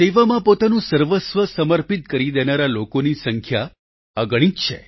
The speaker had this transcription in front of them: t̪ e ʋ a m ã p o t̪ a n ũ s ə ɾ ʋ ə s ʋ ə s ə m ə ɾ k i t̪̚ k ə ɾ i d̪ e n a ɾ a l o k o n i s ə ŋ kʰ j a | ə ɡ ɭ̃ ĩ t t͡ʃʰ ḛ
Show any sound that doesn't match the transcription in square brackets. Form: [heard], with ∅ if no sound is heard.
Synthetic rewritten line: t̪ e ʋ a m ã p o t̪ a n ũ s ə ɾ ʋ ə s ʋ ə s ə m ə ɾ [p] i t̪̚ k ə ɾ i d̪ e n a ɾ a l o k o n i s ə ŋ kʰ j a | ə ɡ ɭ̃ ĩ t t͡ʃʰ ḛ